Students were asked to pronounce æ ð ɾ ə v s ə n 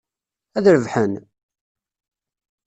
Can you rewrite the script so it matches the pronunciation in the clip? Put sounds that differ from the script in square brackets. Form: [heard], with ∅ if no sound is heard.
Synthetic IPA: æ ð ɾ ə v [ħ] ə n